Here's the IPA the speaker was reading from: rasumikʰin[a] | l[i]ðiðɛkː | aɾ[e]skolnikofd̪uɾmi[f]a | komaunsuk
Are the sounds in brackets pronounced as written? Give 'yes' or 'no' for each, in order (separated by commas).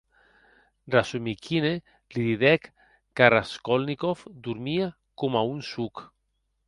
no, yes, no, no